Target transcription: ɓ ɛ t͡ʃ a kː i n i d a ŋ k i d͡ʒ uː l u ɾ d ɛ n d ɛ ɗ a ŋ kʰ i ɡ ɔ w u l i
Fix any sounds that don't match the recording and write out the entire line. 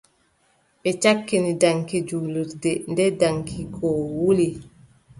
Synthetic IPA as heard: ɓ ɛ t͡ʃ a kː i n i d a ŋ k i d͡ʒ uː l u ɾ d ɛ n d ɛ d a ŋ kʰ i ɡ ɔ w u l i